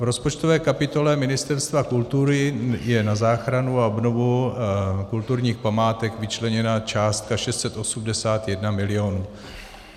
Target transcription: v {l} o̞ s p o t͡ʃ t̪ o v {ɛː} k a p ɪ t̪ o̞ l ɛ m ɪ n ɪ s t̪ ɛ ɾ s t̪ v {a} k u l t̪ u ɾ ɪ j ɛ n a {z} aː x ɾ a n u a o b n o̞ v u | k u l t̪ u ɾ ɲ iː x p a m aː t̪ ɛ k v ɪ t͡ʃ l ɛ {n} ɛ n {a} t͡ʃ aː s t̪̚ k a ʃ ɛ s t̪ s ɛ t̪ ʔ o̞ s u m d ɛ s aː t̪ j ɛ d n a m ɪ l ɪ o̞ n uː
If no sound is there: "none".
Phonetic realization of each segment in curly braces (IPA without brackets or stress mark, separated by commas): ɾ, ɛː, a, z, ɲ, a